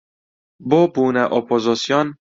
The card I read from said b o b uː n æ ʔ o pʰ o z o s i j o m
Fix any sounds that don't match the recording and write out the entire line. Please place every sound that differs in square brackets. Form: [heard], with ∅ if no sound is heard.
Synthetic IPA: b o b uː n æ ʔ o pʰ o z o s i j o [n]